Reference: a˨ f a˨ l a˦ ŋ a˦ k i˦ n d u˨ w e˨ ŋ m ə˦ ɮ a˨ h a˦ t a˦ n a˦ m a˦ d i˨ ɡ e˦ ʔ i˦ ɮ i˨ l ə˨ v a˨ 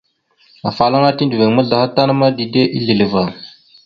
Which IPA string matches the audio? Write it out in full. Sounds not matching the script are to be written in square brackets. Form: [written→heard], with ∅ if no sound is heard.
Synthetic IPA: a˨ f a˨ l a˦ ŋ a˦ [k→t] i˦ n d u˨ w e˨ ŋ m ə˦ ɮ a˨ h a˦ t a˦ n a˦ m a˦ d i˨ [ɡ→d] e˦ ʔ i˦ ɮ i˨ l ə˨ v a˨